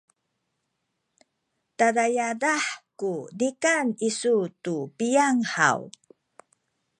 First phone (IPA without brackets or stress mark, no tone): t